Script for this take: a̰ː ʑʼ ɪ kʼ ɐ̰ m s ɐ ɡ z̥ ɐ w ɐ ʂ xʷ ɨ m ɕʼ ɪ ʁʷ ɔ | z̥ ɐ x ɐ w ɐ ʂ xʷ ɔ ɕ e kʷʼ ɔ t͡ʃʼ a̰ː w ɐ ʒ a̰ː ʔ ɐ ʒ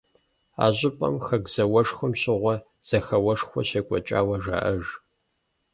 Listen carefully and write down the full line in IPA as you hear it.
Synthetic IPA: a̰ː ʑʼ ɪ pʼ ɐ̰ m x ɐ ɡ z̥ ɐ w ɐ ʂ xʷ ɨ m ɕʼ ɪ ʁʷ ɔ | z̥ ɐ x ɐ w ɐ ʂ xʷ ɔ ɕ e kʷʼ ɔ t͡ʃʼ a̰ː w ɐ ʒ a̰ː ʔ ɐ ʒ